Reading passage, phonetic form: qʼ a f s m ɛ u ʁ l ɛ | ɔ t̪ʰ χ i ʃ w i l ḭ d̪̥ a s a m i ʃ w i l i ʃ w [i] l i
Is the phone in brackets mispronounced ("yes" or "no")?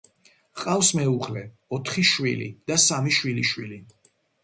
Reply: no